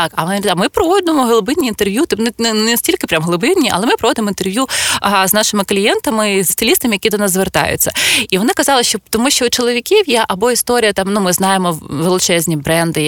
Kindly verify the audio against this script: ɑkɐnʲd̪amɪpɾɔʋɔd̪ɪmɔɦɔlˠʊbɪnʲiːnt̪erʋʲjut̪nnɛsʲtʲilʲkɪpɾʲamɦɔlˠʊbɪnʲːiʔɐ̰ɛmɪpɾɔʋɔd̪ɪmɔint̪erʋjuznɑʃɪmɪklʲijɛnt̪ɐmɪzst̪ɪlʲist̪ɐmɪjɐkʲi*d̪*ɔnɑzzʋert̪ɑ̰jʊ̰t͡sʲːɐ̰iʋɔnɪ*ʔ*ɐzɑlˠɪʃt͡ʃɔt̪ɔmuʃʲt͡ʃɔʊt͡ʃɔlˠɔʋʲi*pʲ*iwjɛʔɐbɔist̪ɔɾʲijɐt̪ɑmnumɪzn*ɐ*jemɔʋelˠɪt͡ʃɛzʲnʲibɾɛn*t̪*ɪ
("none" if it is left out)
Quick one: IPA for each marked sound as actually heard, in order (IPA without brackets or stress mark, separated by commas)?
d̪, k, kʲ, ɑ, d̪